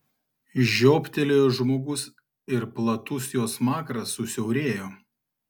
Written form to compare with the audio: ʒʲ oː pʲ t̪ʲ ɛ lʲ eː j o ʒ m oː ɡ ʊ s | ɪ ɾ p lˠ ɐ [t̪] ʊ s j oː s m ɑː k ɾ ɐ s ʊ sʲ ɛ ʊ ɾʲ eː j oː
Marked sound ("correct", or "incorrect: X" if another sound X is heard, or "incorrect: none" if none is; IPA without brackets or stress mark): correct